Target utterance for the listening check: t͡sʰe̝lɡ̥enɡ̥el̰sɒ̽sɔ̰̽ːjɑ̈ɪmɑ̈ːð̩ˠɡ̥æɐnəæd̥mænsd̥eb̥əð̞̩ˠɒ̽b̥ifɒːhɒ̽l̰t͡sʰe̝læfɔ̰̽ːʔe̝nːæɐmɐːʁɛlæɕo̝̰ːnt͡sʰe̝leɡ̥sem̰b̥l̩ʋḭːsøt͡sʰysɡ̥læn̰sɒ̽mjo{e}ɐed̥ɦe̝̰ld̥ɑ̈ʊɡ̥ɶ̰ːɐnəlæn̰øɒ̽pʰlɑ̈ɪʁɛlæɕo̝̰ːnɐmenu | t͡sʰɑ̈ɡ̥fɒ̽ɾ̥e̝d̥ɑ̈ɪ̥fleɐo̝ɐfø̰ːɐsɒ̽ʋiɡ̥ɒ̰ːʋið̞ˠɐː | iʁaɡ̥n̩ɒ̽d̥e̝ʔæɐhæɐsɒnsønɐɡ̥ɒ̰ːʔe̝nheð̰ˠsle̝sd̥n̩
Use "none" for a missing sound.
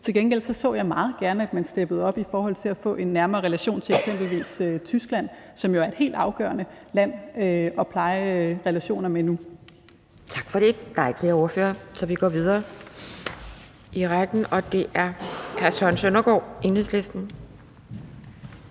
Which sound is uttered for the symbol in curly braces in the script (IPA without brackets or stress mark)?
æ